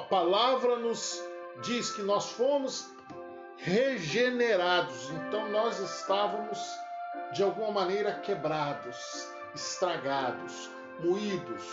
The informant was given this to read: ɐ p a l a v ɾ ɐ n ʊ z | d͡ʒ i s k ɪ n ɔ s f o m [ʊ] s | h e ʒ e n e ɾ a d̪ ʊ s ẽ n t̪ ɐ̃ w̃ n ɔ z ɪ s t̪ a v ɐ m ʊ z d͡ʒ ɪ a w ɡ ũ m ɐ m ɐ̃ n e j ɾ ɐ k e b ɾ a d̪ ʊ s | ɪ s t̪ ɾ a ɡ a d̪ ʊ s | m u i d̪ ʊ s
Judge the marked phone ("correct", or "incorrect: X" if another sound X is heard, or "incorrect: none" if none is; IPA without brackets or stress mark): correct